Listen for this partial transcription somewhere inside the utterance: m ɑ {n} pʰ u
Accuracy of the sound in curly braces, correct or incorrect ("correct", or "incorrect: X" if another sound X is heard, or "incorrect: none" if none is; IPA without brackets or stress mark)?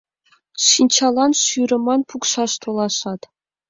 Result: correct